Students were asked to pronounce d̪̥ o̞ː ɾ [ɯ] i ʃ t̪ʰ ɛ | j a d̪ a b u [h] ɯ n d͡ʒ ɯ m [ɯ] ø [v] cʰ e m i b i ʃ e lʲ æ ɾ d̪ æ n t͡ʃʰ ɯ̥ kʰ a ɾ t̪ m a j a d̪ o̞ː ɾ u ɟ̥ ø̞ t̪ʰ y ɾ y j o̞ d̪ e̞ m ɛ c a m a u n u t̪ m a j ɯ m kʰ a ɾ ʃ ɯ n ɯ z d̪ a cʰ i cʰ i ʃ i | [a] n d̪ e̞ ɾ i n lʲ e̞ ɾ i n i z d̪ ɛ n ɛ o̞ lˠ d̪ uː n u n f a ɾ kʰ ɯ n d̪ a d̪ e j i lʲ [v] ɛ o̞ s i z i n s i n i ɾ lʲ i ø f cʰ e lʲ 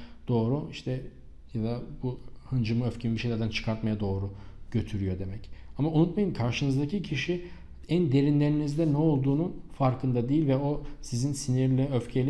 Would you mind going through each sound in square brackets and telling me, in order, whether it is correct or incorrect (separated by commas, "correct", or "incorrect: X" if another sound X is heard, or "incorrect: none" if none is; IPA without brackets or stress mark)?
incorrect: u, correct, correct, incorrect: f, incorrect: æ, correct